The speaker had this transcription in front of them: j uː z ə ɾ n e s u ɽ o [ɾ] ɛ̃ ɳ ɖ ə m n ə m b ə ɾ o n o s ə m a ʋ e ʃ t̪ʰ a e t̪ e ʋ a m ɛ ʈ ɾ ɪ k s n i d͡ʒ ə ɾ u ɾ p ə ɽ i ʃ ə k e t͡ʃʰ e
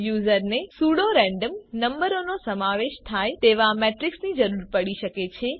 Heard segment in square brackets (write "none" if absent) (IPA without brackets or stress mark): ɾ